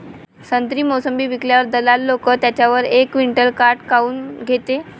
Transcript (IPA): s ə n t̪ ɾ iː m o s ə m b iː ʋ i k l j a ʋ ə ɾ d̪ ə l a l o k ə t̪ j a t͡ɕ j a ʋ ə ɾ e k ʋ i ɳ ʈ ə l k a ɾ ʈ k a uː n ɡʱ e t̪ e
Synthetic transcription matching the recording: s ə n t̪ ɾ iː m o s ə m b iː ʋ i k l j a ʋ ə ɾ d̪ ə l a lː o k ə t̪ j a t͡ɕ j a ʋ ə ɾ e k ʋ i ɳ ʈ ə l k a ɾ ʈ k a uː n ɡʱ e t̪ e

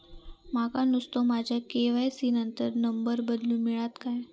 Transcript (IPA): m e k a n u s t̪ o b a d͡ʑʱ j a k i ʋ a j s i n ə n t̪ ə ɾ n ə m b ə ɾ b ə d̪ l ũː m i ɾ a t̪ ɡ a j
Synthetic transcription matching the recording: m a k a n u s t̪ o m a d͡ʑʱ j a k e ʋ a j s i n ə n t̪ ə ɾ n ə m b ə ɾ b ə d̪ l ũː m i ɭ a t̪ k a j

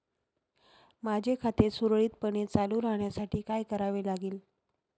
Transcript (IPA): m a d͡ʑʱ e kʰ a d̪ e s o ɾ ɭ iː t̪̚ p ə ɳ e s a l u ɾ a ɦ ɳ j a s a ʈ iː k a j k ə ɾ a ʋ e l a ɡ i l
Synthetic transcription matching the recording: m a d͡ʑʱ e kʰ a t̪ e s u ɾ ɭ iː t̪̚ p ə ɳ e t͡s a l u ɾ a ɦ ɳ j a s a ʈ iː k a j k ə ɾ a ʋ e l a ɡ iː l

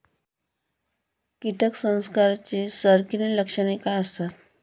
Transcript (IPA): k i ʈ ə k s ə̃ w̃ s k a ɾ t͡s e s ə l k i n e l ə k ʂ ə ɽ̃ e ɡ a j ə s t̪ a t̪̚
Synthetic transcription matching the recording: k i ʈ ə k s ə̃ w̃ s k a ɾ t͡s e s ə ɾ k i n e l ə k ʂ ə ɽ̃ e k a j ə s t̪ a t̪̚

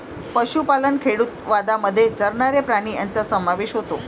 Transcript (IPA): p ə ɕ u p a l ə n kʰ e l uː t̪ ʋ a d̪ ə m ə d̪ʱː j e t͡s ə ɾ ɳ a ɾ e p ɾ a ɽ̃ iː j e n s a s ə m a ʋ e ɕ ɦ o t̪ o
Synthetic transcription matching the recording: p ə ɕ u p a l ə n kʰ e ɽ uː t̪ ʋ a d̪ a m ə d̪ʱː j e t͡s ə ɾ ɳ a ɾ e p ɾ a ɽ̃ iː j a n t͡s a s ə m a ʋ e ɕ ɦ o t̪ o

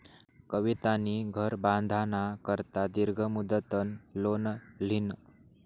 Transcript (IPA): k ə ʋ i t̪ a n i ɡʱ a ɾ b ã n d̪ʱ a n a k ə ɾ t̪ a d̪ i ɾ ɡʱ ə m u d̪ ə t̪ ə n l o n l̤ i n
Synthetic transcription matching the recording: k ə ʋ i t̪ a n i ɡʱ ə ɾ b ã n d̪ʱ a n a k ə ɾ t̪ a d̪ i ɾ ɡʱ ə m u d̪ ə t̪ ə n l o n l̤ i n

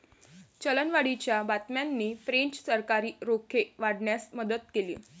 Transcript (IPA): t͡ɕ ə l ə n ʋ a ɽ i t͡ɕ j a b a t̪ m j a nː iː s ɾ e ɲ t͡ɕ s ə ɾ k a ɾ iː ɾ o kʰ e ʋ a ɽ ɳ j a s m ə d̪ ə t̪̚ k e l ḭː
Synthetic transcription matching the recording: t͡ɕ ə l ə n ʋ a ɽ i t͡ɕ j a b a t̪ m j a nː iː f ɾ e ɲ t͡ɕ s ə ɾ k a ɾ iː ɾ o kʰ e ʋ a ɽ ɳ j a s m ə d̪ ə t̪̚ k e l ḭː

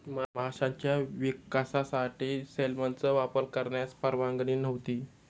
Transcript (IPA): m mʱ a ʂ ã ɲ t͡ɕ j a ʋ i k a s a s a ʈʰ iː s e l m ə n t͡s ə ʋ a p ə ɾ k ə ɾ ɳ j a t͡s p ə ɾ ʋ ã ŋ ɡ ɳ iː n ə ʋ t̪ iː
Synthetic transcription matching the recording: m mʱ a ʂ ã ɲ t͡ɕ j a ʋ i k a s a s a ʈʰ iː s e l m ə n t͡s ə ʋ a p ə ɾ k ə ɾ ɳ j a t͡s p ə ɾ ʋ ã ŋ ɡ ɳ iː n ə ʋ t̪ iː

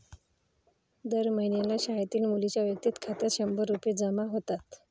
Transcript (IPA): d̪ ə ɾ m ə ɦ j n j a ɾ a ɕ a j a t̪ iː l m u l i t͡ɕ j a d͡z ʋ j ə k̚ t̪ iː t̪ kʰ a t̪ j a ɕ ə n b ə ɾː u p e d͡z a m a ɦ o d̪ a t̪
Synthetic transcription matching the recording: d̪ ə ɾ m ə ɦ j n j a l a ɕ a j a t̪ iː l m u l i t͡ɕ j a ʋ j ə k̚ t̪ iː t̪ kʰ a t̪ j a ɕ ə m b ə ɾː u p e d͡z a m a ɦ o t̪ a t̪

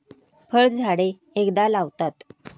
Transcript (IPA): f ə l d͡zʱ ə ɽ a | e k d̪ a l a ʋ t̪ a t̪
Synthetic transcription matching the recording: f ə ɭ d͡zʱ a ɽ e | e k d̪ a l a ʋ t̪ a t̪

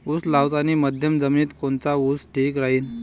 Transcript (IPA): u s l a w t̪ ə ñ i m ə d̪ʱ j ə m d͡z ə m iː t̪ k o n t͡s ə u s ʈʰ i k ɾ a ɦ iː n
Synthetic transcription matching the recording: u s l a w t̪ a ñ i m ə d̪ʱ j ə m d͡z ə m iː t̪ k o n t͡s a u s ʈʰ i k ɾ a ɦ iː n

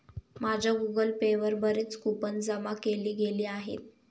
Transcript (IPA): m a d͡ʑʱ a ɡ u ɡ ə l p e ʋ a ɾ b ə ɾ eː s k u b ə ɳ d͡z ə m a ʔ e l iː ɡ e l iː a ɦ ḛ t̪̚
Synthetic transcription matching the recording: m a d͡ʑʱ a ɡ u ɡ ə l p e ʋ ə ɾ b ə ɾ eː t͡s k u p ə n d͡z ə m a k e l iː ɡ e l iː a ɦ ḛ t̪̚

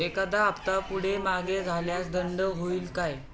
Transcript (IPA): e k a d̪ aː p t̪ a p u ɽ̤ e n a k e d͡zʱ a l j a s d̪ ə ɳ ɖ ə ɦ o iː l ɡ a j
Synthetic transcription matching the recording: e k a d̪ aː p t̪ a p u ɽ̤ e m a ɡ e d͡zʱ a l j a s d̪ ə ɳ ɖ ə ɦ o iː l k a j

